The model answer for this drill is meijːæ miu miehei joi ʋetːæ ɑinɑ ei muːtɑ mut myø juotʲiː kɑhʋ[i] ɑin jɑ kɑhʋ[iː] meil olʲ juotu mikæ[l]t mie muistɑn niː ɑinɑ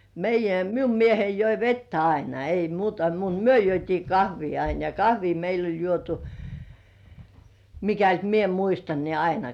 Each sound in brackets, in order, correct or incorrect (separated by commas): incorrect, correct, correct